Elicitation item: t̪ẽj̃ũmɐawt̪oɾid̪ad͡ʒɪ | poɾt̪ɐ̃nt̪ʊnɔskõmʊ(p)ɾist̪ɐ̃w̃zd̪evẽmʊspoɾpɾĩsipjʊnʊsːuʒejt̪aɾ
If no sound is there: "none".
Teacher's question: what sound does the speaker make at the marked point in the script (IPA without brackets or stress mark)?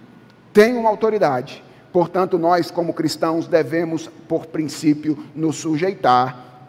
k